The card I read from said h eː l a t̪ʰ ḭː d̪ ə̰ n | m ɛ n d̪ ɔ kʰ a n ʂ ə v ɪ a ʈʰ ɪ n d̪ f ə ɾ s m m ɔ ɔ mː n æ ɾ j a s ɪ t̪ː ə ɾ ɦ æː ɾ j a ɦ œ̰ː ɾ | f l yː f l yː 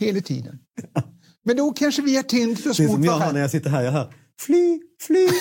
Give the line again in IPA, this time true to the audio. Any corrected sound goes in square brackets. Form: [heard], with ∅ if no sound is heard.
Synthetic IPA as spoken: h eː l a t̪ʰ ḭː d̪ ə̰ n | m ɛ n d̪ ɔ kʰ a n ʂ ə v ɪ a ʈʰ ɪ n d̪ f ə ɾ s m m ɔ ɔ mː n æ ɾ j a s ɪ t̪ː ə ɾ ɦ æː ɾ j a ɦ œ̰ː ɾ | f l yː f l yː